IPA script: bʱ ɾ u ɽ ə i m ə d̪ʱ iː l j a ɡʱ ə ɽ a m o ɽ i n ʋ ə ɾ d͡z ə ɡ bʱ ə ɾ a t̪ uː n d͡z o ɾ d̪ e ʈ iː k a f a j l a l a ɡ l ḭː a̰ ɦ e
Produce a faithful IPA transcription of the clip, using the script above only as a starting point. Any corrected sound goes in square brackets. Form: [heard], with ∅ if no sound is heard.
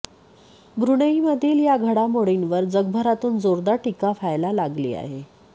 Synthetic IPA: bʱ ɾ u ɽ ə i m ə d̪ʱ iː l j a ɡʱ ə ɽ a m o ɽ i n ʋ ə ɾ d͡z ə ɡ bʱ ə ɾ a t̪ uː n d͡z o ɾ d̪ [a] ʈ [i] k a f a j l a l a ɡ l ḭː a̰ ɦ e

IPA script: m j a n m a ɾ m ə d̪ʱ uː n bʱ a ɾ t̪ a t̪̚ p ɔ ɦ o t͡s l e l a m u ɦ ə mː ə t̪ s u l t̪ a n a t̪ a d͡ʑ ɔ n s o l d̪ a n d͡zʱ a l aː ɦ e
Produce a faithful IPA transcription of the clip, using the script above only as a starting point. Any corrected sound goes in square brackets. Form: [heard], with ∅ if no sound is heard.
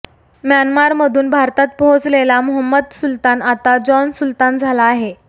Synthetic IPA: m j a n m a ɾ m ə d̪ʱ uː n bʱ a ɾ t̪ a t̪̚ p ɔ ɦ o t͡s l e l a m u ɦ ə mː ə [d̪] s u l t̪ a n a t̪ a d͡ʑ ɔ n s [u] l [t̪] a n d͡zʱ a l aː ɦ e

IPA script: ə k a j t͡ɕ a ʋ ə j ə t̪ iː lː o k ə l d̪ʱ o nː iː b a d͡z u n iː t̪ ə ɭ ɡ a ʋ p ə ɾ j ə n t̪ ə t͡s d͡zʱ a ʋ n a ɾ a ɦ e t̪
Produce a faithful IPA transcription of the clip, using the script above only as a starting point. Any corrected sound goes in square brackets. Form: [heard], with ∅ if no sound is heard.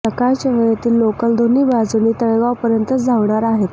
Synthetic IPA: ə k a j t͡ɕ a ʋ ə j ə t̪ iː lː o k ə l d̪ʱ o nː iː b a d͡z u n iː t̪ ə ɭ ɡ a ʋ p ə ɾ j ə n t̪ ə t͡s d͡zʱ a ʋ [ɳ] a ɾ a ɦ e t̪

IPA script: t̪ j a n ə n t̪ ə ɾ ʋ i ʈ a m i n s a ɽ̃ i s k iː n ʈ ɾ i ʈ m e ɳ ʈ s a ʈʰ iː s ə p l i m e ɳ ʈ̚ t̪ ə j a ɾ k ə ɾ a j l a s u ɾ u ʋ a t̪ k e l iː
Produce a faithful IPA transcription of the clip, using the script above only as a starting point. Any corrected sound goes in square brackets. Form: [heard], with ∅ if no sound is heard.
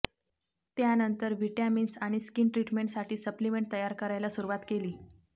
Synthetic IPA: t̪ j a n ə n t̪ ə ɾ ʋ i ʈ a m i n s a ɽ̃ i s k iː n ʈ ɾ i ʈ m e ɳ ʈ s a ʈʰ iː s ə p l i m e ɳ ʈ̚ t̪ ə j a ɾ k ə ɾ a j l a s u ɾ u ʋ a t̪ k e l iː

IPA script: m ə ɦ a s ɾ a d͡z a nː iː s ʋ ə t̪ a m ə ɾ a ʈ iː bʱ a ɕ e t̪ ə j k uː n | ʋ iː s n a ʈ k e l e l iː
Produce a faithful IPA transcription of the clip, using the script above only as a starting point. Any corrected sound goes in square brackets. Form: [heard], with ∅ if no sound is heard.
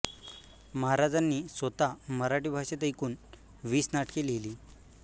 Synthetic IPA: m ə ɦ a [∅] ɾ a d͡z a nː iː s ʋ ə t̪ a m ə ɾ a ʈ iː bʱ a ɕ e t̪ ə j k uː n | ʋ iː s n a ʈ k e l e l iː

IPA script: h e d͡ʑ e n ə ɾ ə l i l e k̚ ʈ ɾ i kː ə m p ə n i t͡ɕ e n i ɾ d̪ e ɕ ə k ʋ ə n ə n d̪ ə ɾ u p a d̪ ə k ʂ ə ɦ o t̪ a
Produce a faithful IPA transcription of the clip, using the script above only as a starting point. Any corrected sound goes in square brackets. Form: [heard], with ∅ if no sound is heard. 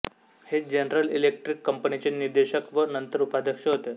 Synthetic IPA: h e d͡ʑ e n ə ɾ ə l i l e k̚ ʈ ɾ i kː ə m p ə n i t͡ɕ e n i ɾ d̪ e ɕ ə k ʋ ə n ə n [t̪] ə ɾ u p a d̪ ə k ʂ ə ɦ o t̪ [e]

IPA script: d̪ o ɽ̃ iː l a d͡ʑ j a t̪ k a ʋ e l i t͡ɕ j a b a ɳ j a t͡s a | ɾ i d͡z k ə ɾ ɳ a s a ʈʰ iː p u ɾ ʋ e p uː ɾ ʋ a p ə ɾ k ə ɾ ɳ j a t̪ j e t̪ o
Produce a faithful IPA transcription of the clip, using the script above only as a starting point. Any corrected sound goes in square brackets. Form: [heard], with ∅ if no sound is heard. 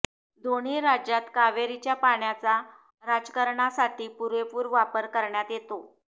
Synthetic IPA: d̪ o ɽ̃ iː [ɾ] a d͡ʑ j a t̪ k a ʋ e [ɾ] i t͡ɕ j a [p] a ɳ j a t͡s a | ɾ [a] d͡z k ə ɾ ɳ a s a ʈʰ iː p u ɾ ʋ e p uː ɾ ʋ a p ə ɾ k ə ɾ ɳ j a t̪ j e t̪ o

